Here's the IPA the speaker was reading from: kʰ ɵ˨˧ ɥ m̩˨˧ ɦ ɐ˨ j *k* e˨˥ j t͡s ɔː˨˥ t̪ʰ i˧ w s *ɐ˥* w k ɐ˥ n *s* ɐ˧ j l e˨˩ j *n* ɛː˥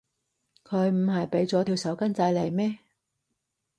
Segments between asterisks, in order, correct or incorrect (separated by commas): incorrect, incorrect, incorrect, incorrect